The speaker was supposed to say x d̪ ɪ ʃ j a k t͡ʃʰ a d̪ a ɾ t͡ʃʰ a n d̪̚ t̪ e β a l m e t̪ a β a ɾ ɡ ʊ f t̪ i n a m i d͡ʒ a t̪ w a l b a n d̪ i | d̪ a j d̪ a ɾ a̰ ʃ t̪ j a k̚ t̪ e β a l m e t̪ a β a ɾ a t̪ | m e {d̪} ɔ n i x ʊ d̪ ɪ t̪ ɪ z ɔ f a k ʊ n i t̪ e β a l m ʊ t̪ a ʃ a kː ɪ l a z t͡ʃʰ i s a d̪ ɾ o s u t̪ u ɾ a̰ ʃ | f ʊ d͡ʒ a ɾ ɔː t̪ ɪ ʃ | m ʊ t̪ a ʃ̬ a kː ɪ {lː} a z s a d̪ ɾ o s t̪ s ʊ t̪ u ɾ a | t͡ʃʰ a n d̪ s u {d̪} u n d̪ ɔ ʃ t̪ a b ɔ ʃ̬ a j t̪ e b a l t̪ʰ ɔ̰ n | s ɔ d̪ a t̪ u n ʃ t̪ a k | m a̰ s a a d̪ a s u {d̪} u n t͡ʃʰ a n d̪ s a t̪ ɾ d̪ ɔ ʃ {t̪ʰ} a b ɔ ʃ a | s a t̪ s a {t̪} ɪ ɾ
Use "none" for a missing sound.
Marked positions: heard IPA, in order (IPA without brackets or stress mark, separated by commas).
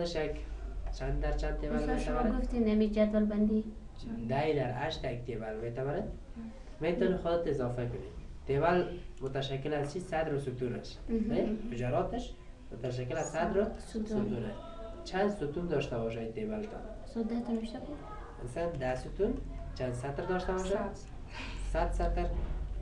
t̪, l, t̪, t̪, t̪, t̪